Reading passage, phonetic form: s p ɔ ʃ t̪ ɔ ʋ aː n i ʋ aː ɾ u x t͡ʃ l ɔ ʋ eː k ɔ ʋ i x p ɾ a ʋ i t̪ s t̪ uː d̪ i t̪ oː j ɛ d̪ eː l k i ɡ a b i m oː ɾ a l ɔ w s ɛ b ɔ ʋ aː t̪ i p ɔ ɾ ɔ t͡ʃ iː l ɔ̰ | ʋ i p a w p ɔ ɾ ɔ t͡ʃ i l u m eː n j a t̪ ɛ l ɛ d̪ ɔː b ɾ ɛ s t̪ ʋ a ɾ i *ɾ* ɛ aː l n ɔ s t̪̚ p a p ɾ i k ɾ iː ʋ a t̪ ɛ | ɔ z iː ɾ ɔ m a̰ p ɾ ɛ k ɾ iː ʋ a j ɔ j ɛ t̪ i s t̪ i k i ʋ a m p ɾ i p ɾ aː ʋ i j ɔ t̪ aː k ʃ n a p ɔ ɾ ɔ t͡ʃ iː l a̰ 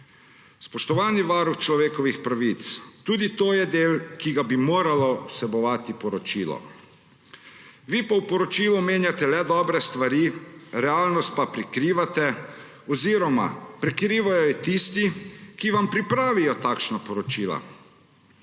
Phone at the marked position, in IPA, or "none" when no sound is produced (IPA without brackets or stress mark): ɾ